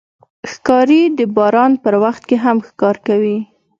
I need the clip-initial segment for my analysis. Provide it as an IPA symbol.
x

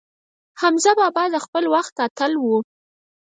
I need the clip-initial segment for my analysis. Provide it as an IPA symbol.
h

